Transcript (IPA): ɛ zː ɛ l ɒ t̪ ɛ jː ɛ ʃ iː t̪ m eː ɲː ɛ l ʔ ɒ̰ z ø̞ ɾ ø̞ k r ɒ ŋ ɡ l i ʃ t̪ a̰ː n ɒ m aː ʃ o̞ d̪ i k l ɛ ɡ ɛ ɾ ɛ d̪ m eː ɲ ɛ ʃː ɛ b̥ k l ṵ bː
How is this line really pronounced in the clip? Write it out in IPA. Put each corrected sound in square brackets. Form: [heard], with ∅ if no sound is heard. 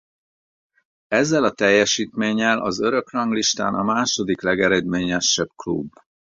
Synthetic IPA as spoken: ɛ zː ɛ l ɒ t̪ ɛ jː ɛ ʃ iː t̪ m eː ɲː ɛ l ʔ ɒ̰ z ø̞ ɾ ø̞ k r ɒ ŋ ɡ l i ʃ t̪ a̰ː n ɒ m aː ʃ o̞ d̪ i k l ɛ ɡ ɛ ɾ ɛ d̪ m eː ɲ ɛ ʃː ɛ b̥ k l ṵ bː